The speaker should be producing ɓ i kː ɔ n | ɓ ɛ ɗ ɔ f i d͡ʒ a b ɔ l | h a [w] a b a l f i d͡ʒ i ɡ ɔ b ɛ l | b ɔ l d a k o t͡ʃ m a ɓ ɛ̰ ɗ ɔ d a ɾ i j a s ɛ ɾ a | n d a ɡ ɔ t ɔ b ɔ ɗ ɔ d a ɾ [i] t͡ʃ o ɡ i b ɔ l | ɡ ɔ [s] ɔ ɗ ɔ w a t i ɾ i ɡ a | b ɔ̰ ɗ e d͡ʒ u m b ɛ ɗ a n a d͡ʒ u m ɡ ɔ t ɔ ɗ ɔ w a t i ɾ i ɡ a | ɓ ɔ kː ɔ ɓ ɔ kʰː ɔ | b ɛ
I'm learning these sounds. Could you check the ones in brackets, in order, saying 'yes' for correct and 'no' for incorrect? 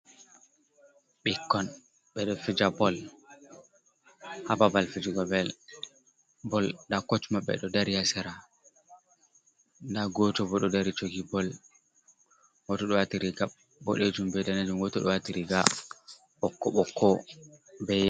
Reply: no, yes, no

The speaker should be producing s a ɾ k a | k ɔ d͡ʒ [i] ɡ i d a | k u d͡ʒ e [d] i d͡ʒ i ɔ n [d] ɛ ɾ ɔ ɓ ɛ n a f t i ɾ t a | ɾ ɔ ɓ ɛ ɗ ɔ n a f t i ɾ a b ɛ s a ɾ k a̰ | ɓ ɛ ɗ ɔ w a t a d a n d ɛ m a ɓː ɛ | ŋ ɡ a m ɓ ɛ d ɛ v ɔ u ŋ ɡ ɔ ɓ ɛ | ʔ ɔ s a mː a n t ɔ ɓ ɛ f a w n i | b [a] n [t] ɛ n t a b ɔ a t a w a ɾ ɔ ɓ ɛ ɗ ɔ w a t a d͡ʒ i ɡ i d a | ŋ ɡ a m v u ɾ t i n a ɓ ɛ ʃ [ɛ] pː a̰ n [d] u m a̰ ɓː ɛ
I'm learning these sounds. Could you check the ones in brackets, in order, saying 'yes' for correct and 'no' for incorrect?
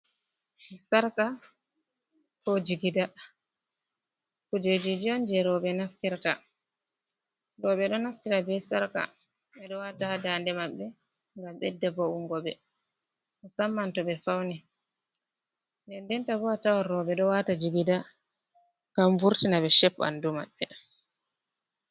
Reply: yes, no, no, no, no, yes, yes

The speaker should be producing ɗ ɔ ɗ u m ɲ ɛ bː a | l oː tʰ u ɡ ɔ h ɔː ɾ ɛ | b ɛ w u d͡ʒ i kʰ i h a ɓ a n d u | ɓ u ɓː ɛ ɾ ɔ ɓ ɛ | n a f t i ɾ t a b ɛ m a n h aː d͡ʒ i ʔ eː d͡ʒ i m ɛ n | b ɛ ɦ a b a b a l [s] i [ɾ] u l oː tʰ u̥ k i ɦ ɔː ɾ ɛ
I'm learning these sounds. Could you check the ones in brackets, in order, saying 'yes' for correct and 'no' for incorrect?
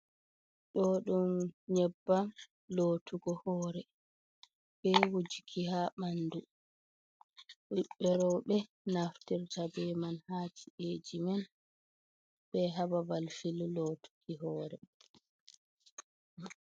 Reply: no, no

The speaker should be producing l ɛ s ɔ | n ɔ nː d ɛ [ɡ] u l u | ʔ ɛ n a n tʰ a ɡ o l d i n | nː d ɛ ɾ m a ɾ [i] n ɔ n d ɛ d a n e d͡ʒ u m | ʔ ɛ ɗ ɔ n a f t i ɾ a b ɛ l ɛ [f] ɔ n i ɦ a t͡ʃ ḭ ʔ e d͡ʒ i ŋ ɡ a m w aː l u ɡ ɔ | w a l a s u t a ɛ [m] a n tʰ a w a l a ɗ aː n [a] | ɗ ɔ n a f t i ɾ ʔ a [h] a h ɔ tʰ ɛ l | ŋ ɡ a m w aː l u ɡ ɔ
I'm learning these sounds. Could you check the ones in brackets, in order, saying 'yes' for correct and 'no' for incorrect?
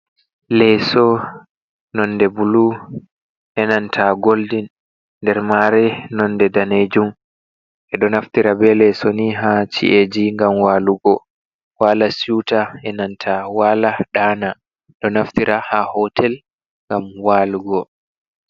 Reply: no, no, no, no, yes, yes

